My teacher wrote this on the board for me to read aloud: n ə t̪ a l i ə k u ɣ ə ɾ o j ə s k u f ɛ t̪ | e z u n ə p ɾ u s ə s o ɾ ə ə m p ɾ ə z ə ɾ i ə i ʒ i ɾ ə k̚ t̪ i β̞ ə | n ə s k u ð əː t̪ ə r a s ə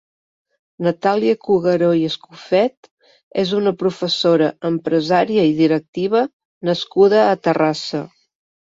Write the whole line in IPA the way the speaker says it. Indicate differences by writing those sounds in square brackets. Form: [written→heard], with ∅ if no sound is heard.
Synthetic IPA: n ə t̪ a l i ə k u ɣ ə ɾ o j ə s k u f ɛ t̪ | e z u n ə p ɾ u [s→f] ə s o ɾ ə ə m p ɾ ə z [ə→a] ɾ i ə i [ʒ→ð] i ɾ ə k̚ t̪ i β̞ ə | n ə s k u ð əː t̪ ə r a s ə